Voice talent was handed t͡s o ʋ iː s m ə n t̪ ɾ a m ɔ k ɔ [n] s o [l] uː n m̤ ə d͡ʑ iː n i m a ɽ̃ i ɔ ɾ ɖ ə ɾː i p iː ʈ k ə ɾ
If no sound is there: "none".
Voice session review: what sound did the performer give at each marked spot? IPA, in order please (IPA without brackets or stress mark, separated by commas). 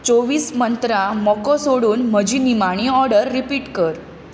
none, ɽ